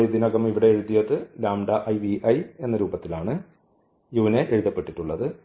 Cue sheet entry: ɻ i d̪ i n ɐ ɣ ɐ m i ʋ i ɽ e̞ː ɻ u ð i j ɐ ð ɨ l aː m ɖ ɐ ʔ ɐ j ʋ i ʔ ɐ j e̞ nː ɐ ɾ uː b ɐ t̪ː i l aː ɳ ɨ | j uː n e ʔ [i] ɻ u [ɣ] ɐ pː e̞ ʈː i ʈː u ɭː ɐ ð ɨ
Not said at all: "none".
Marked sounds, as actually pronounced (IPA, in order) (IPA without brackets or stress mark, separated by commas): e, ð